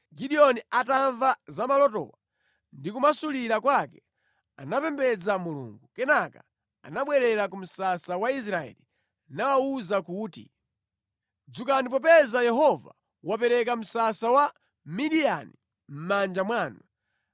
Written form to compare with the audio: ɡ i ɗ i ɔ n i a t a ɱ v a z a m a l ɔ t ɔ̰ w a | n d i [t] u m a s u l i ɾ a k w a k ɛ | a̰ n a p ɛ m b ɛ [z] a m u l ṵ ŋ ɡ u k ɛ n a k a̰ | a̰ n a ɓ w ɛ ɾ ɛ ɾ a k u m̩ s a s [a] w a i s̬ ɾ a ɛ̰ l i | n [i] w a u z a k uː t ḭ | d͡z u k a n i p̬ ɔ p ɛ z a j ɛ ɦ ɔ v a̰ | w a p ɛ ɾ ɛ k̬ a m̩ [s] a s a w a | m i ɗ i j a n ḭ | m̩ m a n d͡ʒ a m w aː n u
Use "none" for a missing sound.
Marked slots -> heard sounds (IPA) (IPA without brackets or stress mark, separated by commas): k, d͡z, a, a, s